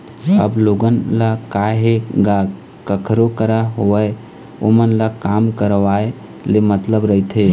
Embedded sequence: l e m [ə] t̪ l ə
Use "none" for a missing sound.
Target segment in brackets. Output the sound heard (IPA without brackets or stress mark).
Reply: ə